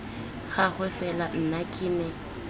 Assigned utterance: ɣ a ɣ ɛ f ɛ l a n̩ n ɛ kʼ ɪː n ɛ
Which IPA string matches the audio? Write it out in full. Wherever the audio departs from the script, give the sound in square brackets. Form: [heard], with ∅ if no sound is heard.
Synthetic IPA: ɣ a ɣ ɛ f ɛ l a n̩ n [a] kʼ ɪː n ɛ